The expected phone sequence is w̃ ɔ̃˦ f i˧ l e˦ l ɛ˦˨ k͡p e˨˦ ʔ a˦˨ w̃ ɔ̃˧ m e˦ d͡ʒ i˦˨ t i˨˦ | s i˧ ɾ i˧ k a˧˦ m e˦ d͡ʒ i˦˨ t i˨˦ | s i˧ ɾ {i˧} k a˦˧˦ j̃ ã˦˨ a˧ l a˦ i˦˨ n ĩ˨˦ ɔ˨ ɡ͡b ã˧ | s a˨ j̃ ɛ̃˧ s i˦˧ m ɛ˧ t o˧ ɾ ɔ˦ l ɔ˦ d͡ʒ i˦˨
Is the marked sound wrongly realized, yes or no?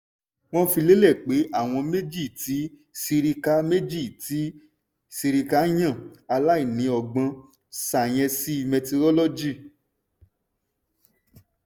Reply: no